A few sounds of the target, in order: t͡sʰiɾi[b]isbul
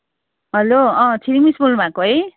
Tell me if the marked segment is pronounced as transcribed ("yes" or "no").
no